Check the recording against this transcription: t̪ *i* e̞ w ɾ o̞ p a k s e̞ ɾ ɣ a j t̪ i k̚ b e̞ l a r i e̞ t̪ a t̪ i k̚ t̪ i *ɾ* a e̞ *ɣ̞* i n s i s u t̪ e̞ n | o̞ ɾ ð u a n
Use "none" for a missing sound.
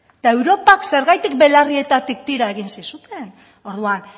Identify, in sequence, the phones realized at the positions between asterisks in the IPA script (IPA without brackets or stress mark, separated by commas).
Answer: a, ɾ, ɣ̞